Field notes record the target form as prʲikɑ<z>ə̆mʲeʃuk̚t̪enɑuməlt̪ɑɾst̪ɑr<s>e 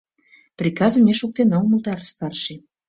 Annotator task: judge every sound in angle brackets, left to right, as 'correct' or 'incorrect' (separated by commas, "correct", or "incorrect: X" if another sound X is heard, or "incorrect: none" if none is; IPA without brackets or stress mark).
correct, incorrect: ʃ